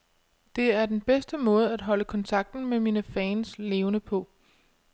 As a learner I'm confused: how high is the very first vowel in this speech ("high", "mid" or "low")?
mid